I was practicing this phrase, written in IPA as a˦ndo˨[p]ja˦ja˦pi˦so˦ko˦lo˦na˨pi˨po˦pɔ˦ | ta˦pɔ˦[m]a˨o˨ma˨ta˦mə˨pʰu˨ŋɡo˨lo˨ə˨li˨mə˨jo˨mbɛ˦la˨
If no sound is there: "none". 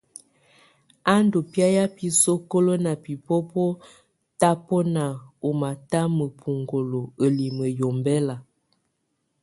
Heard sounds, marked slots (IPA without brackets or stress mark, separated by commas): p, n